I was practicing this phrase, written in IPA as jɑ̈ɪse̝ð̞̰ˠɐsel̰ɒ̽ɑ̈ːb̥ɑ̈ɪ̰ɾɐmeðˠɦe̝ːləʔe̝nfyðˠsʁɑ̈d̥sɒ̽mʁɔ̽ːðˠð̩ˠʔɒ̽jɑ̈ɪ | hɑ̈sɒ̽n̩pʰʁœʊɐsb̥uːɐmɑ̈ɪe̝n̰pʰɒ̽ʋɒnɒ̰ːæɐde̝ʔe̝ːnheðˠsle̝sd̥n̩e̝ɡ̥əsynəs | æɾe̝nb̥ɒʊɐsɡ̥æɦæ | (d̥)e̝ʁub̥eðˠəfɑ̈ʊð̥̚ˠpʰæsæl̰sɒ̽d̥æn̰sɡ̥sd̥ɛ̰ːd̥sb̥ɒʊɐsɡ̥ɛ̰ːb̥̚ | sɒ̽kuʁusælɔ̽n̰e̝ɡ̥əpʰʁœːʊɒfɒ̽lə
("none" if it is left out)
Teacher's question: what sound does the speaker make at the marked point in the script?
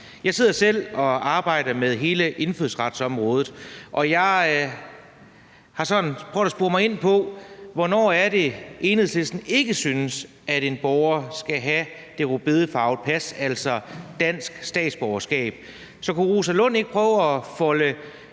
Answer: d̥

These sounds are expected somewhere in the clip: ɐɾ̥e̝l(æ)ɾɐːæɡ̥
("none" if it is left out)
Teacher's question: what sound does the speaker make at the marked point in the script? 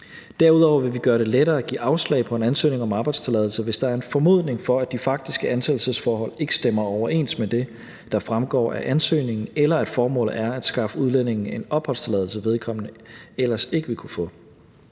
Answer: e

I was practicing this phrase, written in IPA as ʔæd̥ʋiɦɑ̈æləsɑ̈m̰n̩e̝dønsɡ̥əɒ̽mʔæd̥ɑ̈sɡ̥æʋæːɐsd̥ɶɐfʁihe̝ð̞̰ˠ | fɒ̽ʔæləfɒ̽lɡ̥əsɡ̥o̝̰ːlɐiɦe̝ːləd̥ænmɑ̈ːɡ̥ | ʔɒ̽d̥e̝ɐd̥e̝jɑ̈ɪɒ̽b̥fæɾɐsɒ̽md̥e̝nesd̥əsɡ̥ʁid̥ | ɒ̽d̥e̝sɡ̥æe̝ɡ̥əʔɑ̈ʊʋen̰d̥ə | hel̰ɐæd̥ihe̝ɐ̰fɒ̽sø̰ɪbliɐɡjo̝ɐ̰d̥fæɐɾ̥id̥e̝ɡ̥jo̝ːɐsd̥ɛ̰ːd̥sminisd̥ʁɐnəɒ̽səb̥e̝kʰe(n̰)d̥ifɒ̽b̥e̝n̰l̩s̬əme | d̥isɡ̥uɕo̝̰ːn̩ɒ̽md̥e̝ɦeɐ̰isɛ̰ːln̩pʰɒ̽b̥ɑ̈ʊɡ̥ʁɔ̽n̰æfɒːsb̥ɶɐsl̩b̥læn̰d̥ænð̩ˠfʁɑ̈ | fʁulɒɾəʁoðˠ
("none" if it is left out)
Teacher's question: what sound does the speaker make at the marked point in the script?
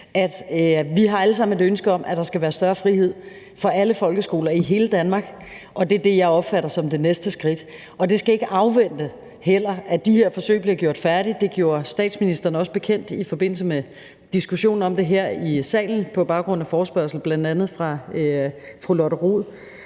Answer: n̰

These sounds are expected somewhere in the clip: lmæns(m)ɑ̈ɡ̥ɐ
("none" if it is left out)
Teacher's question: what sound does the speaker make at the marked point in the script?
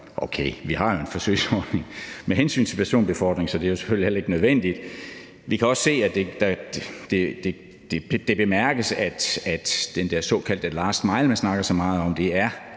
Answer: n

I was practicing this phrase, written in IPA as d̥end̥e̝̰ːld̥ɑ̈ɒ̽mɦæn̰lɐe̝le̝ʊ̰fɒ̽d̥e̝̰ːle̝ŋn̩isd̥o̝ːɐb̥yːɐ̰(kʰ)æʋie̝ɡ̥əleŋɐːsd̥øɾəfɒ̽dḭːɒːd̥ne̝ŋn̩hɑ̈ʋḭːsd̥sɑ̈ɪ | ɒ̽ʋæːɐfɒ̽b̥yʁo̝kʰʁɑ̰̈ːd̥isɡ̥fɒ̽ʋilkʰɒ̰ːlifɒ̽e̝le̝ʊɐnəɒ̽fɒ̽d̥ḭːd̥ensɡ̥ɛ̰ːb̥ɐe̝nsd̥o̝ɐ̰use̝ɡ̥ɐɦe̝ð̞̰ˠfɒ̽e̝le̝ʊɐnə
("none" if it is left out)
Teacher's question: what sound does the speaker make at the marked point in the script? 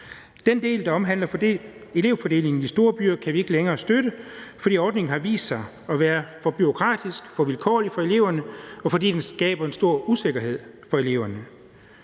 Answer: kʰ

